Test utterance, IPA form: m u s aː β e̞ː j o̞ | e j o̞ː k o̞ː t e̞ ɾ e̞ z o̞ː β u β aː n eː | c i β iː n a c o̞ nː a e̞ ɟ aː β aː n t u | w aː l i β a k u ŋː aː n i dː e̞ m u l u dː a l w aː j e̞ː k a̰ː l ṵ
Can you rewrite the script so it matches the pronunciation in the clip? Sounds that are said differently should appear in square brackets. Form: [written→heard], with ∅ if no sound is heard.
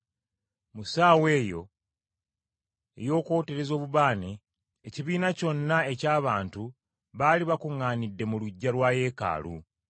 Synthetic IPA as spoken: m u s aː [β→w] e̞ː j o̞ | e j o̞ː k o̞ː t e̞ ɾ e̞ z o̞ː β u β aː n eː | c i β iː n a c o̞ nː a e̞ [ɟ→c] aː β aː n t u | [w→β] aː l i β a k u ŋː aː n i dː e̞ m u l u [dː→ɟː] a l w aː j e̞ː k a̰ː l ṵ